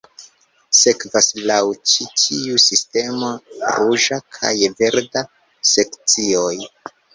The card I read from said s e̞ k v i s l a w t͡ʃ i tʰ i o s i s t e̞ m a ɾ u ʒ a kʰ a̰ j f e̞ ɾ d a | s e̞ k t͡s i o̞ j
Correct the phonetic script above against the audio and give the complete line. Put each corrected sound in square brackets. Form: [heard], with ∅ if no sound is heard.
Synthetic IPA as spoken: s e̞ k v [a] s l a w t͡ʃ i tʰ i [u] s i s t e̞ m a ɾ u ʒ a kʰ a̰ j [v] e̞ ɾ d a | s e̞ k t͡s i o̞ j